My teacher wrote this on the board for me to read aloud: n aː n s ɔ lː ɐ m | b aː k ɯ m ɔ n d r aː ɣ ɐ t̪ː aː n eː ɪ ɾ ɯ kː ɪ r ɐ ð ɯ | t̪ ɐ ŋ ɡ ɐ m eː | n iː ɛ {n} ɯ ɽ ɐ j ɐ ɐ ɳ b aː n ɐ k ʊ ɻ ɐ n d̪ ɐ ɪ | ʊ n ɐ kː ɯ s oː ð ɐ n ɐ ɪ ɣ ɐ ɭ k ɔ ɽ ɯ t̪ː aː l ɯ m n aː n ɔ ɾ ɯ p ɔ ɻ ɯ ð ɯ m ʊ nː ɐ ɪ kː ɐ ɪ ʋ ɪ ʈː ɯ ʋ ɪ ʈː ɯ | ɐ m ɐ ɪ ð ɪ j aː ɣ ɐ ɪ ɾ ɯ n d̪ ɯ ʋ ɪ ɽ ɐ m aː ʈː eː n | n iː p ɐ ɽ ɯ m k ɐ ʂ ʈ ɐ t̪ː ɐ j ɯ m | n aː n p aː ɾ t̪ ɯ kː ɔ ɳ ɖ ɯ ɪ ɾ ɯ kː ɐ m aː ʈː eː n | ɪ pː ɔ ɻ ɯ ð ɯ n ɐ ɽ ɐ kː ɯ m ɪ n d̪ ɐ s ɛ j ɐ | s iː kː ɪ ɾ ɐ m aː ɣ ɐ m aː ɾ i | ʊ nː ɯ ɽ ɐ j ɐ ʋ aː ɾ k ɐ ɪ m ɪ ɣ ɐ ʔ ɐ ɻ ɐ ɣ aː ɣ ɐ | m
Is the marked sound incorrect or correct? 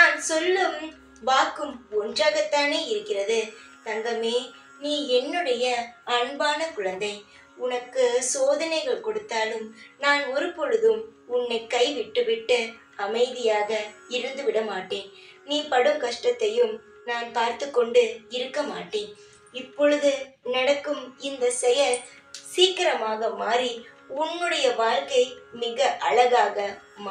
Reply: incorrect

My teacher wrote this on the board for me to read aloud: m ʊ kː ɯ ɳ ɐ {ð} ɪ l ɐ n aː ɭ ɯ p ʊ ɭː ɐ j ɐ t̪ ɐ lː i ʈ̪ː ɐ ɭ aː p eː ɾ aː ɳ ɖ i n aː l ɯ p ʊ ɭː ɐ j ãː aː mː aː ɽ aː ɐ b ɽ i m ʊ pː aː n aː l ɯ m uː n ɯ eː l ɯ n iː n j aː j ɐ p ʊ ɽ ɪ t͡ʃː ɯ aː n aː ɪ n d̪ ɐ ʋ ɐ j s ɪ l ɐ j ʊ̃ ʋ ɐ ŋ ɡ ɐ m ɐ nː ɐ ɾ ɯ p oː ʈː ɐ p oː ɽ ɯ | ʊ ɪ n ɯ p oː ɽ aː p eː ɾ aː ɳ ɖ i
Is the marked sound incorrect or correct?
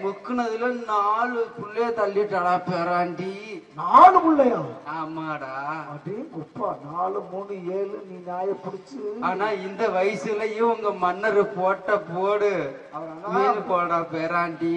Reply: correct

